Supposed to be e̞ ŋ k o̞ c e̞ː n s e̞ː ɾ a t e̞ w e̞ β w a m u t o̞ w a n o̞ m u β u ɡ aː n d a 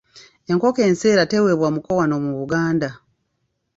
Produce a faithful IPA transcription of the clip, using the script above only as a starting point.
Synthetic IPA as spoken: e̞ ŋ k o̞ k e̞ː n s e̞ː ɾ a t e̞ w e̞ β w a m u k o̞ w a n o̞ m u β u ɡ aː n d a

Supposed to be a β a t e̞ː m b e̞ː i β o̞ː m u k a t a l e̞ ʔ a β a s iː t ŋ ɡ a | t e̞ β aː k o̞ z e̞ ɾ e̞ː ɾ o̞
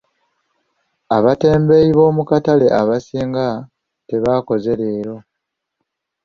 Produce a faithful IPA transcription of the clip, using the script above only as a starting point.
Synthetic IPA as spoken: a β a t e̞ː m b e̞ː i β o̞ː m u k a t a l e̞ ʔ a β a s iː ŋ ɡ a | t e̞ β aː k o̞ z e̞ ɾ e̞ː ɾ o̞

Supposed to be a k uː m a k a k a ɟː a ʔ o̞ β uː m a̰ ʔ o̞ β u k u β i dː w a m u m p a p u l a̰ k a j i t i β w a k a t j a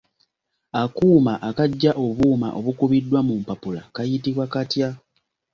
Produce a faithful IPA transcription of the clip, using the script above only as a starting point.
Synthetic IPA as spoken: a k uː m a ʔ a k a ɟː a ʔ o̞ β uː m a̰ ʔ o̞ β u k u β i dː w a m u m p a p u l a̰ k a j i t i β w a k a t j a

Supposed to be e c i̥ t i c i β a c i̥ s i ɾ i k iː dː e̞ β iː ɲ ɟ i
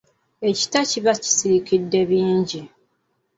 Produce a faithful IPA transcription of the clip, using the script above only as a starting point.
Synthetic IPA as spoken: e c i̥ t a c i β a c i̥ s i ɾ i k i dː e̞ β iː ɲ ɟ i

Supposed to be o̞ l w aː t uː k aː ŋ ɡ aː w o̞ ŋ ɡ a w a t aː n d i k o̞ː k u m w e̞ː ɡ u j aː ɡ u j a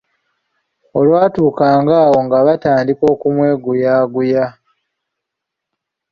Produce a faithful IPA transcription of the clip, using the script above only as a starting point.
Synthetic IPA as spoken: o̞ l w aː t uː k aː ŋ ɡ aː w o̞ ŋ ɡ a β a t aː n d i k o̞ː k u m w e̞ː ɡ u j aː ɡ u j a

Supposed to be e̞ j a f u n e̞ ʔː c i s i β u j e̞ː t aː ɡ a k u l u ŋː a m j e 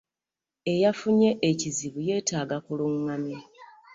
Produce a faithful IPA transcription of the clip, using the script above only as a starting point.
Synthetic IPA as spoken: e̞ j a f u ɲ e̞ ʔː c i z i β u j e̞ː t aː ɡ a k u l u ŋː a m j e

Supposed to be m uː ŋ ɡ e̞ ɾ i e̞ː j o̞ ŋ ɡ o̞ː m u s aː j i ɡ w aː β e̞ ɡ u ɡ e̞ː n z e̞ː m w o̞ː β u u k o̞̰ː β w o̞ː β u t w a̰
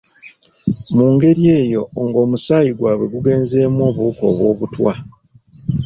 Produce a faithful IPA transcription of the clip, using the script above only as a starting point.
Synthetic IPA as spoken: m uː ŋ ɡ e̞ ɾ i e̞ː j o̞ ŋ ɡ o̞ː m u s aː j i ɡ w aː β e̞ ɡ u ɡ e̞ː n z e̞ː m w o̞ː β u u k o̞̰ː β w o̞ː β u t w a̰

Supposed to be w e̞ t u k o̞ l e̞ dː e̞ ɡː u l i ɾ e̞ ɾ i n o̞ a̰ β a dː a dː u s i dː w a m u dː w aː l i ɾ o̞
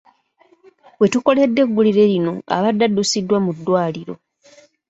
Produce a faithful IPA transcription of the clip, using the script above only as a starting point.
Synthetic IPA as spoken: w e̞ t u k o̞ l e̞ dː e̞ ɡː u l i ɾ e̞ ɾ i n o̞ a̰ β a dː a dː u s i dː w a m u dː w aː l i ɾ o̞

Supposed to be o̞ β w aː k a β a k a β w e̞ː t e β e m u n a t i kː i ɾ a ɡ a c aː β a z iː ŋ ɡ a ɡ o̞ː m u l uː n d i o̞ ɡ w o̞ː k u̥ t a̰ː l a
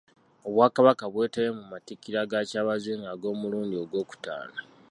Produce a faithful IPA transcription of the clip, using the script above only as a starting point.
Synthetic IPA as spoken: o̞ β w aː k a β a k a β w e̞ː t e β e m u m a t i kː i ɾ a ɡ a c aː β a z iː ŋ ɡ a ɡ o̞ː m u l uː n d i o̞ ɡ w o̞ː k u̥ t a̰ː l a

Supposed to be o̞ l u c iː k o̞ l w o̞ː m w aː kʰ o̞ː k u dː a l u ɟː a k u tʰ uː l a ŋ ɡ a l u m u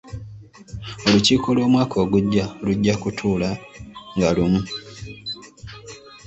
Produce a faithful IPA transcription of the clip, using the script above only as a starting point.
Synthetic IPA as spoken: o̞ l u c iː k o̞ l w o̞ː m w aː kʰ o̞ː ɡ u ɟː a l u ɟː a k u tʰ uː l a ŋ ɡ a l u m u

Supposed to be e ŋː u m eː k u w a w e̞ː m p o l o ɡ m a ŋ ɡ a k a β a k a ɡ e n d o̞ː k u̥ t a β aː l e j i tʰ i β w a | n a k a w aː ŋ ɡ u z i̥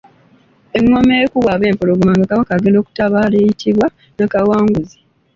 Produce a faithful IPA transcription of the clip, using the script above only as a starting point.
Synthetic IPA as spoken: e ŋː o m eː k u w a β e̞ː m p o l o ɡ m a ŋ ɡ a k a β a k a ɡ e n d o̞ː k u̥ t a β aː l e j i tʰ i β w a | n a k a w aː ŋ ɡ u z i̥

